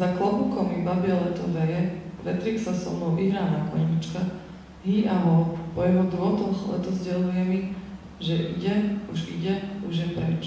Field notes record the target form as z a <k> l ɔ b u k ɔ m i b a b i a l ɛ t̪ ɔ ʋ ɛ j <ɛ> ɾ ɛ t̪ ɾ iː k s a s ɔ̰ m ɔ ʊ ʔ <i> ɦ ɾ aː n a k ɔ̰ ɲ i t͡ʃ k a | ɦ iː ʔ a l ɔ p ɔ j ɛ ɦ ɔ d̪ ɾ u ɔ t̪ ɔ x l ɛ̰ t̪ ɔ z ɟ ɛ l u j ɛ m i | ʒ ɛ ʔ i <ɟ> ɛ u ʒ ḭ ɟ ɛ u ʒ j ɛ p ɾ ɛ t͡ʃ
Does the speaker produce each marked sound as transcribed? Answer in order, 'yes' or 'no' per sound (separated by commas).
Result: yes, yes, yes, yes